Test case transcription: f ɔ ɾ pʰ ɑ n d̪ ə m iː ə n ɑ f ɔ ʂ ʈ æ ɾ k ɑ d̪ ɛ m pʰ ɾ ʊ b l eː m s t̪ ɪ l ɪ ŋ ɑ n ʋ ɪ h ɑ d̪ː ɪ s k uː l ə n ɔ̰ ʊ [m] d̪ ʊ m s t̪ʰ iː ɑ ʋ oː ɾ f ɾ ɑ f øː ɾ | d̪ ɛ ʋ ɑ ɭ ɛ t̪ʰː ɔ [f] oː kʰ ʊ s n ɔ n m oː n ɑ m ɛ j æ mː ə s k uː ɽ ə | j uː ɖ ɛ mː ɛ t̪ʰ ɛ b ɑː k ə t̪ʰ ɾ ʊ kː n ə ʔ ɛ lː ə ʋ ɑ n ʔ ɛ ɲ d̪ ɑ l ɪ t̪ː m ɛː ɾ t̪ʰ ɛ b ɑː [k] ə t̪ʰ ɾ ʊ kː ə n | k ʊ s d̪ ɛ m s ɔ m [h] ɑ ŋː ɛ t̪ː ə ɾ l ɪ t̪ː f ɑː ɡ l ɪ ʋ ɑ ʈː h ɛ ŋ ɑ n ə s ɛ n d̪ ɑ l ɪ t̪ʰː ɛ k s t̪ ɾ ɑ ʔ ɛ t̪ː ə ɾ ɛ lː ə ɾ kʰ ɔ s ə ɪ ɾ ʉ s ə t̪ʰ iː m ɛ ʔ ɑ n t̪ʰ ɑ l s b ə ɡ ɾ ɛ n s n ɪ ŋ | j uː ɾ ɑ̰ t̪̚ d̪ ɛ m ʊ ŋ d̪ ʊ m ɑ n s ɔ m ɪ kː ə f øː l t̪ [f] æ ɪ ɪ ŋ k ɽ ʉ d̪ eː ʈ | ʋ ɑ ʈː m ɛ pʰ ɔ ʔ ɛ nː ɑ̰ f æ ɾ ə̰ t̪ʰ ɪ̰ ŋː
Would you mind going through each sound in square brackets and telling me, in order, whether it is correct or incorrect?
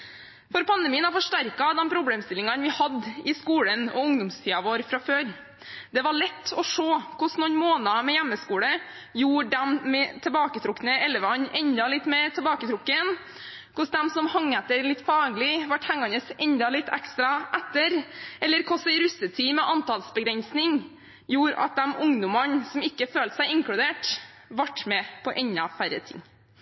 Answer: incorrect: ŋ, incorrect: ʂ, correct, correct, incorrect: s

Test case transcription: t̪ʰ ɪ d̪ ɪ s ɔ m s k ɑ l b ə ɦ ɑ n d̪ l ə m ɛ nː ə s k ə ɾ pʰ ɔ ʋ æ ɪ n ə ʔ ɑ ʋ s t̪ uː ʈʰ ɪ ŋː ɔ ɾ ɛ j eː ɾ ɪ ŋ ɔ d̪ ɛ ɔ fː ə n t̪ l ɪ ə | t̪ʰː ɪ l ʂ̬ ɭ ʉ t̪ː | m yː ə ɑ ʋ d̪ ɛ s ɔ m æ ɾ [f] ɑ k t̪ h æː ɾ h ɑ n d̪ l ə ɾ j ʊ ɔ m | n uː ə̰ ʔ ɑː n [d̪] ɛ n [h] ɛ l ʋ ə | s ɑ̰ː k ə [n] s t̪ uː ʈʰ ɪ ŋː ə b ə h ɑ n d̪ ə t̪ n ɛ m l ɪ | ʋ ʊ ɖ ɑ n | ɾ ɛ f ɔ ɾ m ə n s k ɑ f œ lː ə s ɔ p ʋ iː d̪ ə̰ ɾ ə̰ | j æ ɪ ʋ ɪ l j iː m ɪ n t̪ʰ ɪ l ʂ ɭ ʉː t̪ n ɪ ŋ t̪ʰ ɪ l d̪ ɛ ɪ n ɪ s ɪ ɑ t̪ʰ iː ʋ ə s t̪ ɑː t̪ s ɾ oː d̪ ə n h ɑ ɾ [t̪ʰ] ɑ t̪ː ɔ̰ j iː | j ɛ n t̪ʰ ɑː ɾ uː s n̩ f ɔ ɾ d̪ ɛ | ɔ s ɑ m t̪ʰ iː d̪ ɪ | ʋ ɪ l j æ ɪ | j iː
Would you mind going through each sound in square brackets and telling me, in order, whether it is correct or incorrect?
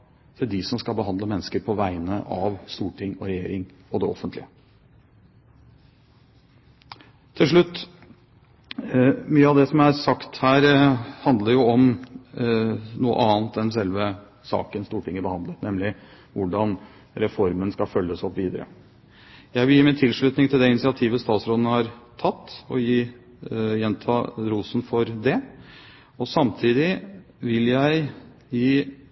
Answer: incorrect: s, incorrect: t̪, incorrect: s, correct, correct

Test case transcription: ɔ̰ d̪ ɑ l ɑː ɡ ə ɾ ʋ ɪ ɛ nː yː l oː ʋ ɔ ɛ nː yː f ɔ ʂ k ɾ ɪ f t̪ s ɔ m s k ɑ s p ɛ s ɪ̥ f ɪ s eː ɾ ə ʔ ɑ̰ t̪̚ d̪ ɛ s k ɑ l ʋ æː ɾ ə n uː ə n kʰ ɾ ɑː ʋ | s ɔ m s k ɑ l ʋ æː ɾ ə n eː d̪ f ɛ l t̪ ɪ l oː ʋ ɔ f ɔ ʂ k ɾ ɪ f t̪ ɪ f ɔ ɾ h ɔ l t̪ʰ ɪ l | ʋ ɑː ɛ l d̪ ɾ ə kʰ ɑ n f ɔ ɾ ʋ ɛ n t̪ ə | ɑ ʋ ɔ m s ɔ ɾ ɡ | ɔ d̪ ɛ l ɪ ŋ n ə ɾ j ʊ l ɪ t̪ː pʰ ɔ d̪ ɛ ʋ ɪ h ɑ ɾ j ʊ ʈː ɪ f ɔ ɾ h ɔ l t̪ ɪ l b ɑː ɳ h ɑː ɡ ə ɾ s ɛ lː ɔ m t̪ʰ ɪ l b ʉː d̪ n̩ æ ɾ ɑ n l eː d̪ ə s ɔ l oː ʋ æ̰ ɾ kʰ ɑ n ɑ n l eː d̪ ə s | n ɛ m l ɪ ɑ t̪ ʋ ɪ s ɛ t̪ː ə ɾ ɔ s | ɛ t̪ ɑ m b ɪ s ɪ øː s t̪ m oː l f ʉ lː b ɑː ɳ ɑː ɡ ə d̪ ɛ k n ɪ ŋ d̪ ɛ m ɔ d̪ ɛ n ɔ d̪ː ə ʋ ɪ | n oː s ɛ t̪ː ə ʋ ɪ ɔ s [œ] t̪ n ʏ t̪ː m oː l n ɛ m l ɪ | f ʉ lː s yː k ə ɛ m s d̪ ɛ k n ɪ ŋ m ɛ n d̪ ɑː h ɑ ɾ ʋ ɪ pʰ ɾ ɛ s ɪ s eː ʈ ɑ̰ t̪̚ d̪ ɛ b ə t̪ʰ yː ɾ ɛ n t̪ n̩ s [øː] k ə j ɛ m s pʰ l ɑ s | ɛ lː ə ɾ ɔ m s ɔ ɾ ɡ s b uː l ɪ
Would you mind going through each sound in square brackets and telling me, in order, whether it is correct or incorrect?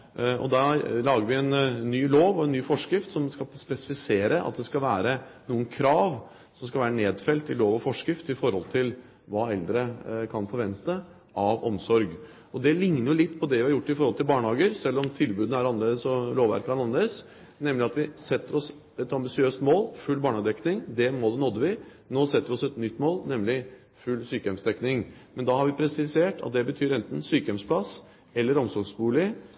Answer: incorrect: ɛ, incorrect: yː

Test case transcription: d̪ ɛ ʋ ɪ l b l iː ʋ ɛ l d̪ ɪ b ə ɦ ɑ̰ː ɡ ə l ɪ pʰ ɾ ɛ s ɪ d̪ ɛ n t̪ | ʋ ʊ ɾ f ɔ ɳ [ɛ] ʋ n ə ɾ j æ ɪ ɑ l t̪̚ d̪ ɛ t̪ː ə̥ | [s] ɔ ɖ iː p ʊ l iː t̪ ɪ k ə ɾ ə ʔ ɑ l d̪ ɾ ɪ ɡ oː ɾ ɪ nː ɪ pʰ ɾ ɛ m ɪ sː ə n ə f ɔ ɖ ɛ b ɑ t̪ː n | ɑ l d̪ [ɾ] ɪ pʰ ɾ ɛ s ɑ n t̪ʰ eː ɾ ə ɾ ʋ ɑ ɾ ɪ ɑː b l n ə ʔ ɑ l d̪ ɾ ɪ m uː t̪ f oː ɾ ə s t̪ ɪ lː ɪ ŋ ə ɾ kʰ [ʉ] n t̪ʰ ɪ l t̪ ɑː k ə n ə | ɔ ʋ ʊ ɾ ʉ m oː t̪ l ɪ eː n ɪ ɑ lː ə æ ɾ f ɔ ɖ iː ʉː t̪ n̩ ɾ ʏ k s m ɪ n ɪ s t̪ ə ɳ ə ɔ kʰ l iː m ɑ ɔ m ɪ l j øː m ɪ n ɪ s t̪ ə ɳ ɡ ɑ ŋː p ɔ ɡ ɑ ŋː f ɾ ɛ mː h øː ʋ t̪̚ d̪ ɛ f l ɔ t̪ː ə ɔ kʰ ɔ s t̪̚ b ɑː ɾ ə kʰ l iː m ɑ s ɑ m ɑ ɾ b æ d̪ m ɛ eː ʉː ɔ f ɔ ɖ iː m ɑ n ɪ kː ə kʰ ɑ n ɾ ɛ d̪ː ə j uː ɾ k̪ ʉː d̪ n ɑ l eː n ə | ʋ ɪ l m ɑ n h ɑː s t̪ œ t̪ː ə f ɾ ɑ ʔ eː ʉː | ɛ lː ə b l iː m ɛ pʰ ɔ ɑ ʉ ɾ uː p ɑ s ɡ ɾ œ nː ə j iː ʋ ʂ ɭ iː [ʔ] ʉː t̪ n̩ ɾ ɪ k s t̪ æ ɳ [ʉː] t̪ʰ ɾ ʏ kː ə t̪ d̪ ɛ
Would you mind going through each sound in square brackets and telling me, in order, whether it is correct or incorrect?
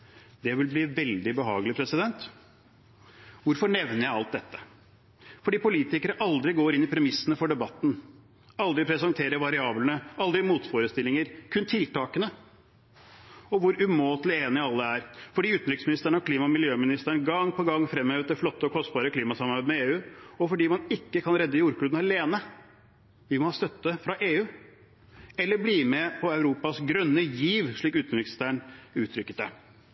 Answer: correct, incorrect: f, correct, correct, incorrect: k, correct

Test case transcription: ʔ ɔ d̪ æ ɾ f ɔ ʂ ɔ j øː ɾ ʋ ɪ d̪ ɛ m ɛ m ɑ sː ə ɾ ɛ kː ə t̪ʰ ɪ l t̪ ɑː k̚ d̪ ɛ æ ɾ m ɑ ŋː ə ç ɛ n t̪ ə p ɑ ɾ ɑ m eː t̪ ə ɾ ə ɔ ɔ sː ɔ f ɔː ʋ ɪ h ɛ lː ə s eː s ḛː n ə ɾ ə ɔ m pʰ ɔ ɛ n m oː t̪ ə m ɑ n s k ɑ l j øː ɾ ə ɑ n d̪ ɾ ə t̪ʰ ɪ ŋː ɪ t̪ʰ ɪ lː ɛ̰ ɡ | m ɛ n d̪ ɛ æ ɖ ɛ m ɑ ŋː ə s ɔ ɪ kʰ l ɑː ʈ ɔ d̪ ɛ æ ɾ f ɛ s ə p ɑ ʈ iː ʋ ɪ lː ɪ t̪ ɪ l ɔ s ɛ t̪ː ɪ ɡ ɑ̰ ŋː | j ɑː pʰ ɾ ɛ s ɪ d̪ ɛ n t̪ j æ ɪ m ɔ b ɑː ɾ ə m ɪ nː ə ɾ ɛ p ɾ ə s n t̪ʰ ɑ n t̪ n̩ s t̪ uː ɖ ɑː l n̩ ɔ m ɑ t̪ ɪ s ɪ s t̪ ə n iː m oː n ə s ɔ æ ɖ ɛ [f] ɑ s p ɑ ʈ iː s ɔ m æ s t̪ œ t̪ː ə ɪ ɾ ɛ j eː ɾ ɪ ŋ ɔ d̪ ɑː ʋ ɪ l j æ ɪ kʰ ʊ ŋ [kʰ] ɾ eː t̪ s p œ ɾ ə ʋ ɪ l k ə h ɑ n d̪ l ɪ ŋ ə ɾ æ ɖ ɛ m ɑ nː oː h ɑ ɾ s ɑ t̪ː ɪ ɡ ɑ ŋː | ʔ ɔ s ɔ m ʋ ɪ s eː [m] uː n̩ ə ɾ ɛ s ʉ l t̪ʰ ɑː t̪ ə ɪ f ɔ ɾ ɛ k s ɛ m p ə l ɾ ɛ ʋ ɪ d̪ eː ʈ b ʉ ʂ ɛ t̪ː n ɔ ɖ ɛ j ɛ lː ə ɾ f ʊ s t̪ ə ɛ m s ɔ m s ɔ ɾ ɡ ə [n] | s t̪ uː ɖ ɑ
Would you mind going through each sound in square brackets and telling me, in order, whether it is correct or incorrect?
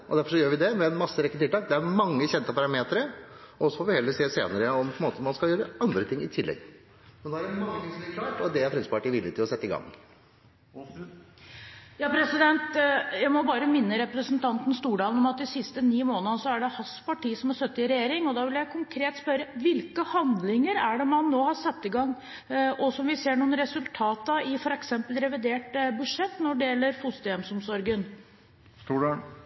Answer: incorrect: h, correct, incorrect: ɳ, correct

